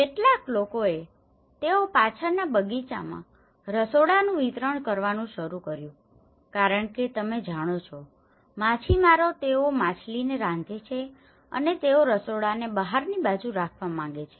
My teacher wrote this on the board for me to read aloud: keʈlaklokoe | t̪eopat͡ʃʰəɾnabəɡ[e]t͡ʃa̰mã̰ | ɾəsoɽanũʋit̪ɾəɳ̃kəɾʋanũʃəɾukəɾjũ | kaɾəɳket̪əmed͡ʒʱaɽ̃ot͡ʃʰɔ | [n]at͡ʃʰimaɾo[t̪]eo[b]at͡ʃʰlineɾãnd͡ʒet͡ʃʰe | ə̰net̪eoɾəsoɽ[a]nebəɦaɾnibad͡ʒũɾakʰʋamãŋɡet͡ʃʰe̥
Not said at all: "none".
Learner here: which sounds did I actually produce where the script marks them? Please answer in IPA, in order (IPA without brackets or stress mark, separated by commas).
i, m, t̪, m, a